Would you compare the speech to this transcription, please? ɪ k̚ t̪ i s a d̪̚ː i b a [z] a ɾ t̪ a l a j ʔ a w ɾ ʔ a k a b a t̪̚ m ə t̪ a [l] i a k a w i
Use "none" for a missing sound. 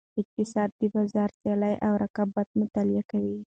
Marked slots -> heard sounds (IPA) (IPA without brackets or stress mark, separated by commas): z, l